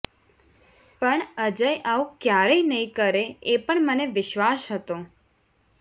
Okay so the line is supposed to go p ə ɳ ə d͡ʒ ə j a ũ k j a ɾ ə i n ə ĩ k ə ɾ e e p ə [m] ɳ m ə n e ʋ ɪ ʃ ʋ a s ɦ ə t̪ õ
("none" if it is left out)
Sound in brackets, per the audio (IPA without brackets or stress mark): none